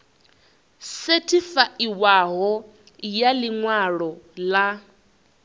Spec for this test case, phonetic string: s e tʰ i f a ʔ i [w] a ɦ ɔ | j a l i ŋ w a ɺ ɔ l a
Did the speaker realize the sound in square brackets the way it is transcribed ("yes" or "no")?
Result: yes